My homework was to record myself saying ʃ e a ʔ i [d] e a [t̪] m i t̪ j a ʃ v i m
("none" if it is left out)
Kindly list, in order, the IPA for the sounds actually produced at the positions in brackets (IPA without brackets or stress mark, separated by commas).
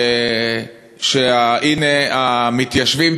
n, none